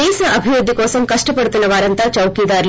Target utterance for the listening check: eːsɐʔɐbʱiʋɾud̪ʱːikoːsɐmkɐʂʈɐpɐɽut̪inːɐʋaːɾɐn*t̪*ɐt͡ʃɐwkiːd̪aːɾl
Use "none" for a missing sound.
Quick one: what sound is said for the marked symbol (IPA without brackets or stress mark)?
t̪